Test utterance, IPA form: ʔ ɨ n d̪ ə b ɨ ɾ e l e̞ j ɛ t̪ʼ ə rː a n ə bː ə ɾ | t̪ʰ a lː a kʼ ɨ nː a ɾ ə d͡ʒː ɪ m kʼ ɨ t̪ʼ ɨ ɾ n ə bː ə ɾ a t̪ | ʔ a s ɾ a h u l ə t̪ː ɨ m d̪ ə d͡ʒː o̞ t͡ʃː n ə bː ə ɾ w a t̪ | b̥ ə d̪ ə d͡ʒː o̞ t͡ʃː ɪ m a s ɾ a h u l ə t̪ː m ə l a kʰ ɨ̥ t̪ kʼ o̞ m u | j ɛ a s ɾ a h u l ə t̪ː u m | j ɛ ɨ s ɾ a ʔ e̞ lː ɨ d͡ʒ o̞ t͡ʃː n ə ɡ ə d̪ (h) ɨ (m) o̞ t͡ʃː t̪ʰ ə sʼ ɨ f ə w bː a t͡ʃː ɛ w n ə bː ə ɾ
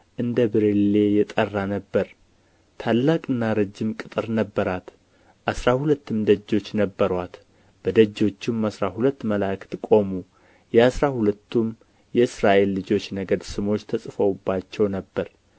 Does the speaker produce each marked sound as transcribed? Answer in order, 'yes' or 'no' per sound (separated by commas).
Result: no, yes